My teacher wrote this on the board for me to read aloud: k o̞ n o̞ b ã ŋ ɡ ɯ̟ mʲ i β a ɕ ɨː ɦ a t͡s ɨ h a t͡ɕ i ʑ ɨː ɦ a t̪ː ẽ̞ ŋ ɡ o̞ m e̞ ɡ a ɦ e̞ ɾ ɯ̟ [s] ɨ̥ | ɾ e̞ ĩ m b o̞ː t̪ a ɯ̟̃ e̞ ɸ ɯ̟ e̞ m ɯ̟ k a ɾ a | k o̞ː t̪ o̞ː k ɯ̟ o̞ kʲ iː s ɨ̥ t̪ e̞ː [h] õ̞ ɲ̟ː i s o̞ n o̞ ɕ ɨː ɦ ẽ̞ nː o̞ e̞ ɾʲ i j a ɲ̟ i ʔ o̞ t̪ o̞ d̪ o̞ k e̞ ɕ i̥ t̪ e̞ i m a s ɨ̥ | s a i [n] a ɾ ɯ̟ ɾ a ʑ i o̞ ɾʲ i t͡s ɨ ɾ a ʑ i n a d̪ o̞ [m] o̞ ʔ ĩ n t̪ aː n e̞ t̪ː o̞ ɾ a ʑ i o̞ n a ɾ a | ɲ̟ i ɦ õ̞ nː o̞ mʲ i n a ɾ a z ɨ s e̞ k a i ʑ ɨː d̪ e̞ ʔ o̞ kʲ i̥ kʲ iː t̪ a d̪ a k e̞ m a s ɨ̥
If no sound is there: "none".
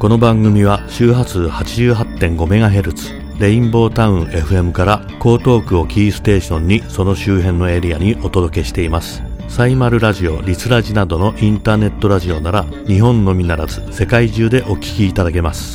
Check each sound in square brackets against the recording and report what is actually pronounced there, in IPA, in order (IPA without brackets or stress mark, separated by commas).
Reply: t͡s, ɕ, m, n